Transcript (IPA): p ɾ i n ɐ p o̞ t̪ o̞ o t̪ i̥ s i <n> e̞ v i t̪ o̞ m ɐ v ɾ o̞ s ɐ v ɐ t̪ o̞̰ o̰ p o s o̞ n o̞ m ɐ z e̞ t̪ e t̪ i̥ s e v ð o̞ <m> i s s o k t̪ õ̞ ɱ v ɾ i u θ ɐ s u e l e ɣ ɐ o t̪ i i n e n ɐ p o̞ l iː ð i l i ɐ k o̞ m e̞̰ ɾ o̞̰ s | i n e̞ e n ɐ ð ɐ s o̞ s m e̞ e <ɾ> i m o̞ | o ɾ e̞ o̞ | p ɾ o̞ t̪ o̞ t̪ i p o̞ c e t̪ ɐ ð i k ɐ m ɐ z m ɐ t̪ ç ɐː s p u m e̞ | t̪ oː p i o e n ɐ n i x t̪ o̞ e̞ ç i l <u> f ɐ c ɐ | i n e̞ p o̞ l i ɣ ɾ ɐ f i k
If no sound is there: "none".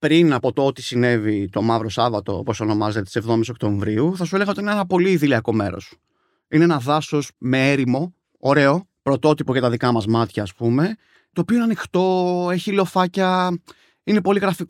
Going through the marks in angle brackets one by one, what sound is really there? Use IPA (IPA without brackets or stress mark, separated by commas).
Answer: n, m, ɾ, o